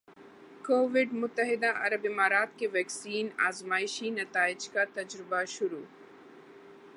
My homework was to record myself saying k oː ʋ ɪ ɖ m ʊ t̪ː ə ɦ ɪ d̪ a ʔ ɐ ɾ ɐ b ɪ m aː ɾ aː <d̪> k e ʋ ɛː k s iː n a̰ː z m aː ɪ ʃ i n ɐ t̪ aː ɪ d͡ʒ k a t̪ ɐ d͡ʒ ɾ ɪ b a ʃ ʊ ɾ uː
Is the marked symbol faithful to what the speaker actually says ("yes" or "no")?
no